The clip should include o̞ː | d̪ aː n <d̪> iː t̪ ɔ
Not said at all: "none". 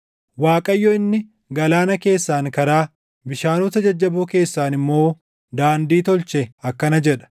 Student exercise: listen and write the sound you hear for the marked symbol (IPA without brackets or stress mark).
d̪